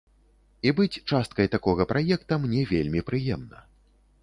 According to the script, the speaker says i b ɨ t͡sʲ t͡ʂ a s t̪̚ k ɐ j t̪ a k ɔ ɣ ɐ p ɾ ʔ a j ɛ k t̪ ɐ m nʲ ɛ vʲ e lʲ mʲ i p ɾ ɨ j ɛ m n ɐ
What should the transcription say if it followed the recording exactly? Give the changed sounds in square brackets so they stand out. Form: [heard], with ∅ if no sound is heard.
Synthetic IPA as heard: i b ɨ t͡sʲ t͡ʂ a s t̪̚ k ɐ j t̪ a k ɔ ɣ ɐ p ɾ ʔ a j ɛ k t̪ ɐ m nʲ ɛ vʲ e lʲ mʲ i p ɾ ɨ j ɛ m n ɐ